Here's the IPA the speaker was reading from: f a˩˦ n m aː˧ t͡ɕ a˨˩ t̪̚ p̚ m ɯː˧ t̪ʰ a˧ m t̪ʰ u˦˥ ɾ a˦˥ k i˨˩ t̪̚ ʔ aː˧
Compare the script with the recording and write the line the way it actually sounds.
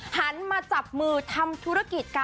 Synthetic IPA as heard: h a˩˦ n m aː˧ t͡ɕ a˨˩ p̚ m ɯː˧ t̪ʰ a˧ m t̪ʰ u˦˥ ɾ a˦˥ k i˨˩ t̪̚ k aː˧